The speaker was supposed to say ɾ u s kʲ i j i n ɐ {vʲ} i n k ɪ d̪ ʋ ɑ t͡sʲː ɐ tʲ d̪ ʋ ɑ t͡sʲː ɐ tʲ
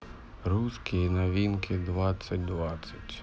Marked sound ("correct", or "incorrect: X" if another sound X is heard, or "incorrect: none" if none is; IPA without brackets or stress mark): incorrect: ʋʲ